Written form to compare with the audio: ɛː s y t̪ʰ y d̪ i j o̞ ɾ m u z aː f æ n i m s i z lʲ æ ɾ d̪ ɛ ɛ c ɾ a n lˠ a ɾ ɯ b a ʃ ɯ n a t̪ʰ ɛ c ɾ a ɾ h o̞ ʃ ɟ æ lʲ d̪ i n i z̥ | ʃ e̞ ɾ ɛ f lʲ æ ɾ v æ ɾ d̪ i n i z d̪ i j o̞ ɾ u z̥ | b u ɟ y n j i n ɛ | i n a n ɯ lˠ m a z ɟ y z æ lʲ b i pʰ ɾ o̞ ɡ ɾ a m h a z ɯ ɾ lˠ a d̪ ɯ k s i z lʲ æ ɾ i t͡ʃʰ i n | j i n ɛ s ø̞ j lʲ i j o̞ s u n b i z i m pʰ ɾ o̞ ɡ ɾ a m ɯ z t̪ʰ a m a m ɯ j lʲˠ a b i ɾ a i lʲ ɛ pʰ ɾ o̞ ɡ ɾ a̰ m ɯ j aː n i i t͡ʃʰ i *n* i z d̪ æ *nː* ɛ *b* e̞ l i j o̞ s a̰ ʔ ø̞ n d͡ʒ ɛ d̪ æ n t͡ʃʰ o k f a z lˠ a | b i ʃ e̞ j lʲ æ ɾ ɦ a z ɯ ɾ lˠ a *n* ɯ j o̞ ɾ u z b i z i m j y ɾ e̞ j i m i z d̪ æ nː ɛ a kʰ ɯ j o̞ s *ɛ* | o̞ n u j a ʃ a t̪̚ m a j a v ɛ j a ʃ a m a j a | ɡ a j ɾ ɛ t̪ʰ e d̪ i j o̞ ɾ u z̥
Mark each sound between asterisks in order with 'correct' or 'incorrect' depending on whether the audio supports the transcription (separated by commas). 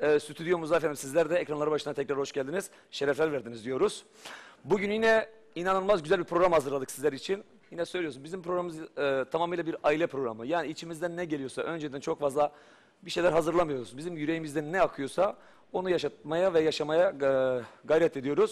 incorrect, correct, incorrect, incorrect, incorrect